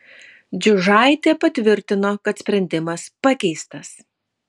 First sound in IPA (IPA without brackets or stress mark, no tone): d͡ʒʲ